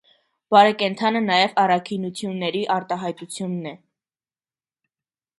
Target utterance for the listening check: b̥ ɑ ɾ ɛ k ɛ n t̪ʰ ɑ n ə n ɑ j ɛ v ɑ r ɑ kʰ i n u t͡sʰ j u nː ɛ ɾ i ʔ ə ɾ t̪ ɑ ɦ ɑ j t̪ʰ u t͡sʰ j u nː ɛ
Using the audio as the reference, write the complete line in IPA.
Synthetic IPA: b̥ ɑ ɾ ɛ k ɛ n t̪ʰ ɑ n ə n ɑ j ɛ v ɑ r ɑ kʰ i n u t͡sʰ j u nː ɛ ɾ i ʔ ɑ ɾ t̪ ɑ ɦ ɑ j t̪ u t͡sʰ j u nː ɛ